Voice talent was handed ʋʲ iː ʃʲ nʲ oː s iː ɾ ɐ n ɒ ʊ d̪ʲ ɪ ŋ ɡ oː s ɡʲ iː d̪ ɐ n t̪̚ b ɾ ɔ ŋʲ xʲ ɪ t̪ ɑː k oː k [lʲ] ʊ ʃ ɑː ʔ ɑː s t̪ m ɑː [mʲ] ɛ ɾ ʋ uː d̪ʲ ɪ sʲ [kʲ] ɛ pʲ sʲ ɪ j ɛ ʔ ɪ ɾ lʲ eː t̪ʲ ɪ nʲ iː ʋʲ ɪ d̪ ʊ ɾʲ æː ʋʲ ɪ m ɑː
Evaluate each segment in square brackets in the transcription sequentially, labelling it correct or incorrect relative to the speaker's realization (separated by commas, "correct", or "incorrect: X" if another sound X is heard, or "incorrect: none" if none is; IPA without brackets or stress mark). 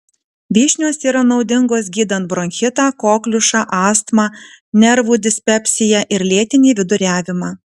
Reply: correct, incorrect: nʲ, incorrect: pʲ